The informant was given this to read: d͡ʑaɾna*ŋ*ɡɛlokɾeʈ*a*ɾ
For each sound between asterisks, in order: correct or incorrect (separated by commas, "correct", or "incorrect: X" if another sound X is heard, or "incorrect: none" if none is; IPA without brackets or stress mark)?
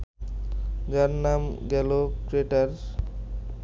incorrect: m, correct